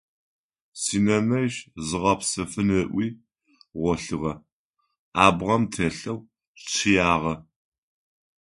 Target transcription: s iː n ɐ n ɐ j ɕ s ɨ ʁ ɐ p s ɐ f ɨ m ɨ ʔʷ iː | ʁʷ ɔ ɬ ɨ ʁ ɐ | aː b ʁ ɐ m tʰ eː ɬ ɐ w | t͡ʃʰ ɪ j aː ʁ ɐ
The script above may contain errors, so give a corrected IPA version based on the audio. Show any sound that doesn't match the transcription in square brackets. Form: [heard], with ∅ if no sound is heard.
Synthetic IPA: s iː n ɐ n ɐ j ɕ [z] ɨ ʁ ɐ p s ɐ f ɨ [n] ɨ ʔʷ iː | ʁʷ ɔ ɬ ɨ ʁ ɐ | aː b ʁ ɐ m tʰ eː ɬ ɐ w | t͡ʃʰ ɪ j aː ʁ ɐ

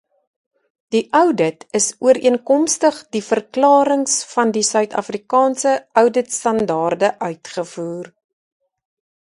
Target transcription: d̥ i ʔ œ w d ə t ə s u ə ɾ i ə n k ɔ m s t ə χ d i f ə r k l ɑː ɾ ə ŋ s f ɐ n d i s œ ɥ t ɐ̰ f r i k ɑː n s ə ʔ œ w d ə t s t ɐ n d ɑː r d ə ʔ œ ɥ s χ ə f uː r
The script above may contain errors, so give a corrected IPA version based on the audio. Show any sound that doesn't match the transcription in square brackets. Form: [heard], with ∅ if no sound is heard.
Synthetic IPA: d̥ i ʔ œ w d ə t ə s u ə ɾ i ə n k ɔ m s t ə χ d i f ə r k l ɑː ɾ ə ŋ s f ɐ n d i s œ ɥ t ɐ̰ f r i k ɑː n s ə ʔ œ w d ə t s t ɐ n d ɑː r d ə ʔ œ ɥ [t] χ ə f uː r

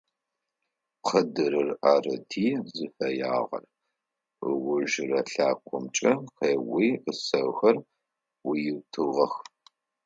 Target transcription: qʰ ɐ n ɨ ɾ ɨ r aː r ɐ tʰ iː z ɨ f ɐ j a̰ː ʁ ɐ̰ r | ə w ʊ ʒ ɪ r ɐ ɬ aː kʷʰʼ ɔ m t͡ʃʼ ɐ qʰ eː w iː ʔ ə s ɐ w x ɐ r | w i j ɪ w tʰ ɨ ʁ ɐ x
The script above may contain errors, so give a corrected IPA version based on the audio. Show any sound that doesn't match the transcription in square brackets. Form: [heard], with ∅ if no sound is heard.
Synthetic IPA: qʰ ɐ [d] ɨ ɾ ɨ r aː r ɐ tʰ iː z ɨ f ɐ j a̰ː ʁ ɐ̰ r | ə w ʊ ʒ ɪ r ɐ ɬ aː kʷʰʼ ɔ m t͡ʃʼ ɐ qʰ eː w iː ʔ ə s ɐ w x ɐ r | w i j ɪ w tʰ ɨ ʁ ɐ x

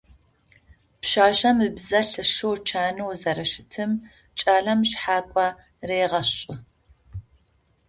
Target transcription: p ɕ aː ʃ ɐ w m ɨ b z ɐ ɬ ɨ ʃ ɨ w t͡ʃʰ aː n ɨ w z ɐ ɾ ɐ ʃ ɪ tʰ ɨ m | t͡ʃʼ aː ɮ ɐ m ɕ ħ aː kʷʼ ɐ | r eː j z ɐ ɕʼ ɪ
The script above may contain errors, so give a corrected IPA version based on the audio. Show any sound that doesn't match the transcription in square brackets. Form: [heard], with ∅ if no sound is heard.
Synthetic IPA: p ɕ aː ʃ ɐ [∅] m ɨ b z ɐ ɬ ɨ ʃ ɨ w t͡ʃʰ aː n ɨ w z ɐ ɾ ɐ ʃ ɪ tʰ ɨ m | t͡ʃʼ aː ɮ ɐ m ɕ ħ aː kʷʼ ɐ | r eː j [ʁ] ɐ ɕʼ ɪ

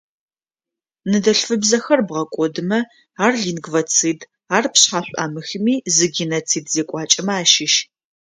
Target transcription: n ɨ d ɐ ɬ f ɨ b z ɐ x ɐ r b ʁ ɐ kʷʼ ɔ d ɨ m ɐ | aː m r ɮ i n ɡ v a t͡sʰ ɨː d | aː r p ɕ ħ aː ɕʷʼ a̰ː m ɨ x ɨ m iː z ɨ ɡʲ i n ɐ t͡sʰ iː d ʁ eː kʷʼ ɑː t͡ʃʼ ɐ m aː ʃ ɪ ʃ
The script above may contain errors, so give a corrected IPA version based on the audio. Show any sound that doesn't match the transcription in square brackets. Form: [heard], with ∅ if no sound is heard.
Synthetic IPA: n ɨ d ɐ ɬ f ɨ b z ɐ x ɐ r b ʁ ɐ kʷʼ ɔ d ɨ m ɐ | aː [∅] r ɮ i n ɡ v [ɐ] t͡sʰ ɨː d | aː r p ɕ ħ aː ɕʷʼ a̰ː m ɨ x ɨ m iː z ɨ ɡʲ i n ɐ t͡sʰ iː d [z] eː kʷʼ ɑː t͡ʃʼ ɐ m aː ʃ ɪ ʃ

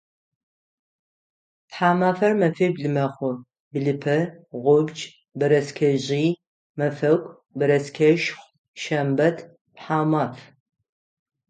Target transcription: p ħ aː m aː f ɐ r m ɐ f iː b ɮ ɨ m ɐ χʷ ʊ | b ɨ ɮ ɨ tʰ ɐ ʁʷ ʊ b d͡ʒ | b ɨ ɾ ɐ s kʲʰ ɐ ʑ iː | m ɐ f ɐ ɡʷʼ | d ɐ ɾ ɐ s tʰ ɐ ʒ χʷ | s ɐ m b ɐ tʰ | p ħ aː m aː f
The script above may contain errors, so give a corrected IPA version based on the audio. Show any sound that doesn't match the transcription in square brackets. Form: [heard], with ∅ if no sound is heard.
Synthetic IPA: p ħ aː m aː f ɐ r m ɐ f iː b ɮ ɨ m ɐ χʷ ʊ | b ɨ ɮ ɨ [pʰ] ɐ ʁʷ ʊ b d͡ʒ | b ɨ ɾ ɐ s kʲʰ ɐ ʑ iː | m ɐ f ɐ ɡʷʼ | [b] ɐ ɾ ɐ s [kʰ] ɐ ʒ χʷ | [ʃ] ɐ m b ɐ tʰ | p ħ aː m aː f

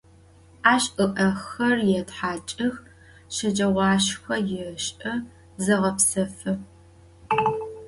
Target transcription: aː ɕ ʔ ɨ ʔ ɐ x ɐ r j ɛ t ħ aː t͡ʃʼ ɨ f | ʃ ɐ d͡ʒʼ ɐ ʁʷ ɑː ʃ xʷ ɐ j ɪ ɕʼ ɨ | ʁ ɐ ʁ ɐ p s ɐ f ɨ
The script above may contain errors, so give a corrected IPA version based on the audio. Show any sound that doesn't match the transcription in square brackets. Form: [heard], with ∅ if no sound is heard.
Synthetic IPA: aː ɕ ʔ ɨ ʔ ɐ x ɐ r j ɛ t ħ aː t͡ʃʼ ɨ [x] | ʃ ɐ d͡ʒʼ ɐ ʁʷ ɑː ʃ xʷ ɐ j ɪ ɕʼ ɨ | [z] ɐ ʁ ɐ p s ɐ f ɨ

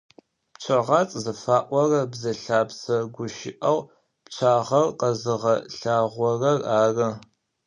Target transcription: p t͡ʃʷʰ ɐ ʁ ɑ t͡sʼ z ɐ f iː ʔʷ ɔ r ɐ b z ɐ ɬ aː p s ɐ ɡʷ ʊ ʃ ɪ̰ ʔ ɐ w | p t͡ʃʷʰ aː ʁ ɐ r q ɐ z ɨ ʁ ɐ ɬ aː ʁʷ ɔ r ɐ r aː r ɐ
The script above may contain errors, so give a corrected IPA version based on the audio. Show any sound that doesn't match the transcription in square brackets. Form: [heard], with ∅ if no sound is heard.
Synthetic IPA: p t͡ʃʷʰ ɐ ʁ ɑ t͡sʼ z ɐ f [aː] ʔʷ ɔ r ɐ b z ɐ ɬ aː p s ɐ ɡʷ ʊ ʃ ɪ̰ ʔ ɐ w | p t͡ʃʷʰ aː ʁ ɐ r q ɐ z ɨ ʁ ɐ ɬ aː ʁʷ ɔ r ɐ r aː r ɐ

